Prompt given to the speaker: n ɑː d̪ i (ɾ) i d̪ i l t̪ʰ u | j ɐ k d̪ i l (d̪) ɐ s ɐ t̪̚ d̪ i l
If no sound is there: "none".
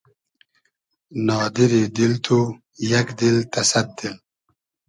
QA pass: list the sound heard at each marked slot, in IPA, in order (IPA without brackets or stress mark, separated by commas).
ɾ, t̪